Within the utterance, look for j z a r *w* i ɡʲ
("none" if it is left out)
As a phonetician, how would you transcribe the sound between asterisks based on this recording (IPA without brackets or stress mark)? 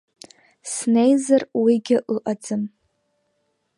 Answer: w